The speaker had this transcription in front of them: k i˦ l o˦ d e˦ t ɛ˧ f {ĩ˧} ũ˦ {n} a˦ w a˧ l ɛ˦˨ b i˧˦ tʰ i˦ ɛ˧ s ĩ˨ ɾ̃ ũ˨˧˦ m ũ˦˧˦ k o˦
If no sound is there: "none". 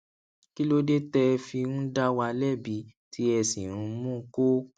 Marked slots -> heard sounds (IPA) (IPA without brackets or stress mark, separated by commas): i˧, d